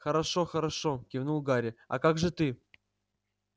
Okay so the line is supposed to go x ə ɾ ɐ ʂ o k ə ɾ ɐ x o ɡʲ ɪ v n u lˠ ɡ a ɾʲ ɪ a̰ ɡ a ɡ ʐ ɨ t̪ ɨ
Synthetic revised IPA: x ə ɾ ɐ ʂ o x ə ɾ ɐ ʂ o kʲ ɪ v n u lˠ ɡ a ɾʲ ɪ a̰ k a ɡ ʐ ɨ t̪ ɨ